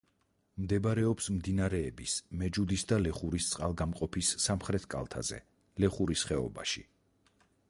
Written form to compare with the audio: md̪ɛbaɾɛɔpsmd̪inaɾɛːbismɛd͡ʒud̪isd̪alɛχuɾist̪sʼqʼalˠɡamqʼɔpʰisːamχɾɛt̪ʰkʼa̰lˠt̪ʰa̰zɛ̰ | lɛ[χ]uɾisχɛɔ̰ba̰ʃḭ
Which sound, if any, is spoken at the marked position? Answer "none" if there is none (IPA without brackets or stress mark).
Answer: χ